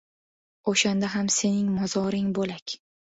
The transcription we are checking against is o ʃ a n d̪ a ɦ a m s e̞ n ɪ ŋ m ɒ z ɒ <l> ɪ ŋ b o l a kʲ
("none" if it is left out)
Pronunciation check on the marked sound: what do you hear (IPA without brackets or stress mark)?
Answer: ɾ